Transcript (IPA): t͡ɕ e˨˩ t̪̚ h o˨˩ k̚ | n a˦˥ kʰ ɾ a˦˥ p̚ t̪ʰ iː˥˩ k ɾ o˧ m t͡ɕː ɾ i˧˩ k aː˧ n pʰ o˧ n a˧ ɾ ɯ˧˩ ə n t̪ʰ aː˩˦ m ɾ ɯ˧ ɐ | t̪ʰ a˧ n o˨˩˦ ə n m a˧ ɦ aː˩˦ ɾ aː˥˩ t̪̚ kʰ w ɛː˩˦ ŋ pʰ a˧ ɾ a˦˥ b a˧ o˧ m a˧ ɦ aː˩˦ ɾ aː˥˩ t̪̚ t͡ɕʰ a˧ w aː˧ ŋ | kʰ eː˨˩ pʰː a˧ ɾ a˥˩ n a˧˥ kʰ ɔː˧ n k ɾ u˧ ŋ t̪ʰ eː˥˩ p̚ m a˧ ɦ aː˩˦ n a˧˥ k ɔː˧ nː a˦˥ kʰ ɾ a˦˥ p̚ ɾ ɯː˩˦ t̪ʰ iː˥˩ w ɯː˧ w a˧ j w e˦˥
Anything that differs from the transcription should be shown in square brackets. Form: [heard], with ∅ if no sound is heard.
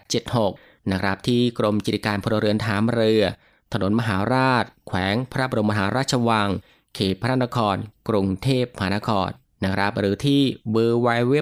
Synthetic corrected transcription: t͡ɕ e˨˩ t̪̚ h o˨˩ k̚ | n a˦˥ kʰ ɾ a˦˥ p̚ t̪ʰ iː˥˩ k ɾ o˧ m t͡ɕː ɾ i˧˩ k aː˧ n pʰ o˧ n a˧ ɾ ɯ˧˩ ə n t̪ʰ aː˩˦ m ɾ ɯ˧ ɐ | t̪ʰ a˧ n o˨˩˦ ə n m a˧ ɦ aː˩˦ ɾ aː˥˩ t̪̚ kʰ w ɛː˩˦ ŋ pʰ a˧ ɾ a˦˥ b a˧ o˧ m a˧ ɦ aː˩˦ ɾ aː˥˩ t̪̚ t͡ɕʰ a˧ w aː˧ ŋ | kʰ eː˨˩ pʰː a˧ ɾ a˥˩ n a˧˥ kʰ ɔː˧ n k ɾ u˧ ŋ t̪ʰ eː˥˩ p̚ m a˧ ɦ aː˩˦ n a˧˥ [kʰ] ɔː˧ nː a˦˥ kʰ ɾ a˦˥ p̚ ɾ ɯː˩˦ t̪ʰ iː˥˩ w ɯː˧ w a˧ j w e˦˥